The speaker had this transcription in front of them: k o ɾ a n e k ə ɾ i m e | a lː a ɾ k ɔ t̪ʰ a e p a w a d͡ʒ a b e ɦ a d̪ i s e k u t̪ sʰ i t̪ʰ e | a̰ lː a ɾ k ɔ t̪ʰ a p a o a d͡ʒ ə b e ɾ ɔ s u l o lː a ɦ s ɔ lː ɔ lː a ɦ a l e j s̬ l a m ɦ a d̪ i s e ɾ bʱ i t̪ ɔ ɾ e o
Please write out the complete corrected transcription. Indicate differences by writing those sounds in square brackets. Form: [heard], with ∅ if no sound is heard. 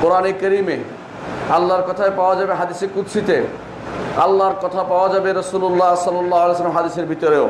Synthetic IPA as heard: k o ɾ a n e k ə ɾ i m e | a lː a ɾ k ɔ t̪ʰ a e p a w a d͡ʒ a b e ɦ a d̪ i s e k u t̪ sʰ i [t̪] e | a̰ lː a ɾ k ɔ t̪ʰ a p a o a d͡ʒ [a] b e ɾ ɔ s u l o lː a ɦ s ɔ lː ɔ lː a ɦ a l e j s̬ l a m ɦ a d̪ i s e ɾ bʱ i t̪ ɔ ɾ e o